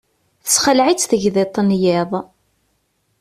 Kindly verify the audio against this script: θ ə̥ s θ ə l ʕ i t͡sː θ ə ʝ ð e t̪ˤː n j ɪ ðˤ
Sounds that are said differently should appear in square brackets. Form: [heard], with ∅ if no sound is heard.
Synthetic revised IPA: θ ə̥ s [χ] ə l ʕ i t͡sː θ ə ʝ ð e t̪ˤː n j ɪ ðˤ